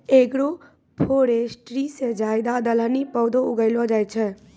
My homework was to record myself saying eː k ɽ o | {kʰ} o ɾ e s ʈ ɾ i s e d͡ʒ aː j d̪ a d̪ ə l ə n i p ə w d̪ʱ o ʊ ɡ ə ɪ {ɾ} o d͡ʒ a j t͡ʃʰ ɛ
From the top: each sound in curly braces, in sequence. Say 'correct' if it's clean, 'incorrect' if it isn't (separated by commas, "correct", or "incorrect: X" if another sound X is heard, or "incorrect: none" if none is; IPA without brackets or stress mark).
incorrect: pʰ, incorrect: l